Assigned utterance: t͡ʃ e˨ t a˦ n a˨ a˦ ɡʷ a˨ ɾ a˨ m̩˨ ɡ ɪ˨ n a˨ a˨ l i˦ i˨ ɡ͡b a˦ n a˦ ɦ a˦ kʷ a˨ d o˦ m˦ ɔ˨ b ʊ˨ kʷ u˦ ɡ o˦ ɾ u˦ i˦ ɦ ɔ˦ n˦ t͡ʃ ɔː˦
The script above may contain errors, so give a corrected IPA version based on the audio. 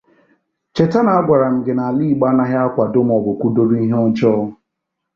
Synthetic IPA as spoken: t͡ʃ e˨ t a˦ n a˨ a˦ ɡʷ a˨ ɾ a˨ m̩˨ ɡ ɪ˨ n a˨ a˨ l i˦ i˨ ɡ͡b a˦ n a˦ ɦ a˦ kʷ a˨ d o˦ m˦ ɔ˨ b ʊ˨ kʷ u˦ d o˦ ɾ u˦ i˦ ɦ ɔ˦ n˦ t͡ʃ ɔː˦